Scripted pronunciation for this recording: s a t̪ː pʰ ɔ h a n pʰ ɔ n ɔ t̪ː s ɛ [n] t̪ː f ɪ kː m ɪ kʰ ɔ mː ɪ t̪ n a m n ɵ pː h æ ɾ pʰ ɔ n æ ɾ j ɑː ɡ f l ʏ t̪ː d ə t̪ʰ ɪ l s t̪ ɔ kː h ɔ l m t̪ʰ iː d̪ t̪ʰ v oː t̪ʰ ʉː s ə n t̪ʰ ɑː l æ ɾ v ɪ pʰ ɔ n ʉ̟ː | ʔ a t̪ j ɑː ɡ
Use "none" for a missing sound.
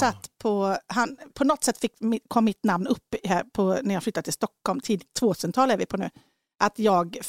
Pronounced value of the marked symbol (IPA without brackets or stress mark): none